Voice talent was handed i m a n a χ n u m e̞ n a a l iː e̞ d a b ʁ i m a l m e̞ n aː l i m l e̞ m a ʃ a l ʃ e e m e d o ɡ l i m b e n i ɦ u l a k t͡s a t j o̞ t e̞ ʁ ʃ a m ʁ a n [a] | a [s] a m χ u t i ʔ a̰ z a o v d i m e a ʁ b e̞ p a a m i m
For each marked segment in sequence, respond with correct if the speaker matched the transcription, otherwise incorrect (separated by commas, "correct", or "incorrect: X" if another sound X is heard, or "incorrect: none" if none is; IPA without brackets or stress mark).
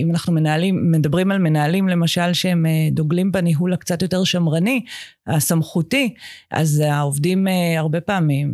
incorrect: i, correct